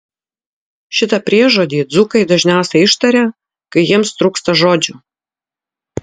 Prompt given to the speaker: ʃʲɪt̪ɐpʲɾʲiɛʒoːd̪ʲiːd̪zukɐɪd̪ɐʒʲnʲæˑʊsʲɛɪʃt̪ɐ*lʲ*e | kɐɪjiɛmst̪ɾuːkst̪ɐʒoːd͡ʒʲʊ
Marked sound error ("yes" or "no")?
yes